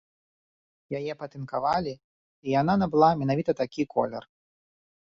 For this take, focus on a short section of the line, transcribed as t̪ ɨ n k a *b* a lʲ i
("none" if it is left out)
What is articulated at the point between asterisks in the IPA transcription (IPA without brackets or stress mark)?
v